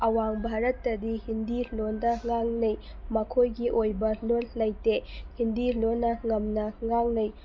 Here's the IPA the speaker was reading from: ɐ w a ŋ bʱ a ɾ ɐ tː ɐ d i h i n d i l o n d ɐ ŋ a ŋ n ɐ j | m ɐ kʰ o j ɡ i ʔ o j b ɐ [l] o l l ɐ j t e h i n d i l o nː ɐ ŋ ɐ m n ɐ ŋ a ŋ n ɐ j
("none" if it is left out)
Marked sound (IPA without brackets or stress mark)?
l